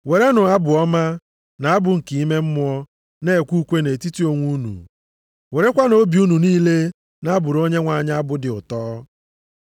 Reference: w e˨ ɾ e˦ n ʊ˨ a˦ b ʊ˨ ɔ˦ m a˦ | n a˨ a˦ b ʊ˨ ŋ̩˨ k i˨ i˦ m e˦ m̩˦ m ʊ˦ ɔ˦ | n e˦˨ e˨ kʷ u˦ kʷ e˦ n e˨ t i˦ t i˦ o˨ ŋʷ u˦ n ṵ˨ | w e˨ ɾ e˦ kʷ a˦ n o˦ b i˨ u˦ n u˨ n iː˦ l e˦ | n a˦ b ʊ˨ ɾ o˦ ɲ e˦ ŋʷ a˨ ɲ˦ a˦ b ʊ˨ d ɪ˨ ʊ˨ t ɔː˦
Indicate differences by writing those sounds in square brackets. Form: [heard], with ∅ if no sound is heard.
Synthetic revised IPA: w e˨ ɾ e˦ n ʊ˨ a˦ b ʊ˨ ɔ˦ m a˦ | n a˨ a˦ b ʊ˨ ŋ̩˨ k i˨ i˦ m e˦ m̩˦ m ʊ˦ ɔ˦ | n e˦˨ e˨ kʷ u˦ kʷ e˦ n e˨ t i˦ t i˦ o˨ ŋʷ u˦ n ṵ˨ | w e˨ ɾ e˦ kʷ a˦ n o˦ b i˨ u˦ n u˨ n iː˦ l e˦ | n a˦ b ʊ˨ ɾ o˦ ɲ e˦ ŋʷ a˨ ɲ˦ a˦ b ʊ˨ d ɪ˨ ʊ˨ t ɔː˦